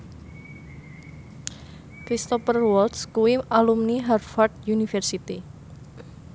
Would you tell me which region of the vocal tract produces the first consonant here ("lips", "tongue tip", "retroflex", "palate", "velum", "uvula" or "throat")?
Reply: velum